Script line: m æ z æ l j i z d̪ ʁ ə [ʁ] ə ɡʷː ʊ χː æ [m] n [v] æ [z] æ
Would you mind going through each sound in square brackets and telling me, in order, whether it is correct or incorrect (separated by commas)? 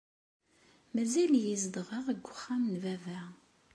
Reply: correct, correct, correct, incorrect